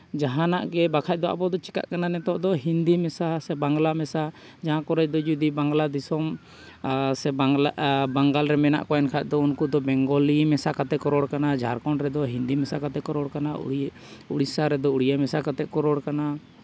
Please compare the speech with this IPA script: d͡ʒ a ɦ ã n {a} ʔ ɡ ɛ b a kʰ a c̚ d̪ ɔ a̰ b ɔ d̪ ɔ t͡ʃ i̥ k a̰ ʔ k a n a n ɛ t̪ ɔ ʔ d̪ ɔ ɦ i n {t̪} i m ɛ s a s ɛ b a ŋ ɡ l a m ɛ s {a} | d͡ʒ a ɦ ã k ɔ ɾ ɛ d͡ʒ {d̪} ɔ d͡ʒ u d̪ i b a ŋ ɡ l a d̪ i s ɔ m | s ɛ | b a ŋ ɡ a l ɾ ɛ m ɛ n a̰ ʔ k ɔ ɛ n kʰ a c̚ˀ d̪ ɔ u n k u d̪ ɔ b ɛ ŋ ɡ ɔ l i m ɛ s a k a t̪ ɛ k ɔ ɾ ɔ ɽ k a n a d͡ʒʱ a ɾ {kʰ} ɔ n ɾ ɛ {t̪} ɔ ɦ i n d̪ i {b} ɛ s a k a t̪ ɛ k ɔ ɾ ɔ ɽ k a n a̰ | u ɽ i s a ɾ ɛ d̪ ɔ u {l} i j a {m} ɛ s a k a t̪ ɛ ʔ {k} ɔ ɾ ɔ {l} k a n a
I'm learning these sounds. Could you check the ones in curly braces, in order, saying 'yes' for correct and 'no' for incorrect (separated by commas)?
yes, no, yes, yes, no, no, no, no, yes, yes, no